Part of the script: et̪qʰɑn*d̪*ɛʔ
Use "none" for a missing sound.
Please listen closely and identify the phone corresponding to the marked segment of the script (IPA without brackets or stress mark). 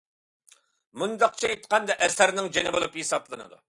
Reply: d̪